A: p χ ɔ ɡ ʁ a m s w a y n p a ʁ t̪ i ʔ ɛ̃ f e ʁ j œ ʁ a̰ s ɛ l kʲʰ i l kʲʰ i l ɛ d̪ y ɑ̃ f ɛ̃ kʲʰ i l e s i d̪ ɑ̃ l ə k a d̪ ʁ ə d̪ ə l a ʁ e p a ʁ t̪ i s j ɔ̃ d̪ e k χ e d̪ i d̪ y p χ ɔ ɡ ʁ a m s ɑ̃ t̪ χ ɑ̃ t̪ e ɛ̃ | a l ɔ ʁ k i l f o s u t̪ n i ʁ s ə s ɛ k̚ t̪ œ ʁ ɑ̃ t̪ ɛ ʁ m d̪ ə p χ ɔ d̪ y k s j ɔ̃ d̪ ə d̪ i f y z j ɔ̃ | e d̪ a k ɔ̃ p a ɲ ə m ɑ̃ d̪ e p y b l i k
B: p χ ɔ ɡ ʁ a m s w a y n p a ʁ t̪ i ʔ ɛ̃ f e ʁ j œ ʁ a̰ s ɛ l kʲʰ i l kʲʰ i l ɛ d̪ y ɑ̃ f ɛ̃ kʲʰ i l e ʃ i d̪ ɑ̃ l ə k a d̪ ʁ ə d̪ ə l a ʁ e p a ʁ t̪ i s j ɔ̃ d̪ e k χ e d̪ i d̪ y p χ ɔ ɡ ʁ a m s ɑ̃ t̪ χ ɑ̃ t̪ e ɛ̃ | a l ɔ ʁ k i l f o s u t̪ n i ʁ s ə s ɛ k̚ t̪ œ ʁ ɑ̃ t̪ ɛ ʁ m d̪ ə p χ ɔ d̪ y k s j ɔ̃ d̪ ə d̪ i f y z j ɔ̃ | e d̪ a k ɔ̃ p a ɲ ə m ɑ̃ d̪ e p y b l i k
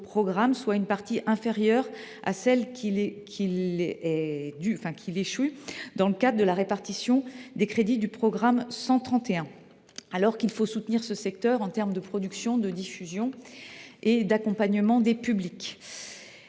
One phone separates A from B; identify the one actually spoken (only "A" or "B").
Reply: B